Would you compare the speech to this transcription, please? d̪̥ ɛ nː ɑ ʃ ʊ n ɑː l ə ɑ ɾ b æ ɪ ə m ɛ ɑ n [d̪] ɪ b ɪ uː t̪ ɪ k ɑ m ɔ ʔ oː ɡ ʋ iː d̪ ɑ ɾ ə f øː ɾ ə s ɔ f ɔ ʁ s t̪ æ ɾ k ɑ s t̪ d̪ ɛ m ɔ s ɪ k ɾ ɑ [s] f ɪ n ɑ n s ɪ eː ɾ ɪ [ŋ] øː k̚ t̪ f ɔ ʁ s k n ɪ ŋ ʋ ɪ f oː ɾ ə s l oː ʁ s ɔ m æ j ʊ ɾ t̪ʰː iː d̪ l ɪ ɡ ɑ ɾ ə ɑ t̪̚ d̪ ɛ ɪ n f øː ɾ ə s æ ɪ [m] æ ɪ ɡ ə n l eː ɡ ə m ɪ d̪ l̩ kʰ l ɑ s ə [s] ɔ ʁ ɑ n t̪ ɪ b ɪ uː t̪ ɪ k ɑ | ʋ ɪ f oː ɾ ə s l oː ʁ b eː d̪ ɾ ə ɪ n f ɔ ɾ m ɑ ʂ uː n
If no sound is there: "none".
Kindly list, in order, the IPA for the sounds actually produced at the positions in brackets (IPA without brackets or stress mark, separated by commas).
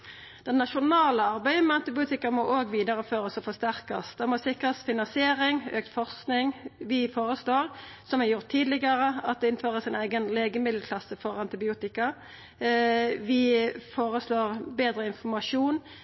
t̪, s, ŋ, n, f